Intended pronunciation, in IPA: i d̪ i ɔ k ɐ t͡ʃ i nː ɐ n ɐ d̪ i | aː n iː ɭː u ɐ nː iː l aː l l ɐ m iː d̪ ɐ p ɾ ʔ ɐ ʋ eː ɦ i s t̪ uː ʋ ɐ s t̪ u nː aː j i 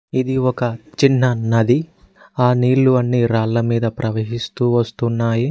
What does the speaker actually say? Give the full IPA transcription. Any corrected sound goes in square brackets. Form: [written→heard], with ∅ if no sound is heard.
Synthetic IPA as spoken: i d̪ i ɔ k ɐ t͡ʃ i nː ɐ n ɐ d̪ i | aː n iː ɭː u ɐ nː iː [l→ɾ] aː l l ɐ m iː d̪ ɐ p ɾ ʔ ɐ ʋ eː ɦ i s t̪ uː ʋ ɐ s t̪ u nː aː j i